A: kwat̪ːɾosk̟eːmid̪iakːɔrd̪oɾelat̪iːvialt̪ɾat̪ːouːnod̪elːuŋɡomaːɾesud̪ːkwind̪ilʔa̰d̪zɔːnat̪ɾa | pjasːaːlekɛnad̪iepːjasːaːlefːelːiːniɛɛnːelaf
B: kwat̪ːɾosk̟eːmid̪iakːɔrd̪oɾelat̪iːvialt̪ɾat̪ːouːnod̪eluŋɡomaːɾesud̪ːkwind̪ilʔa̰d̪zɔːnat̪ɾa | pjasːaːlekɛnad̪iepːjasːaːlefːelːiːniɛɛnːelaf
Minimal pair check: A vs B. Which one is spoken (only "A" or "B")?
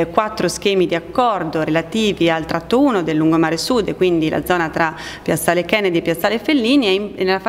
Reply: A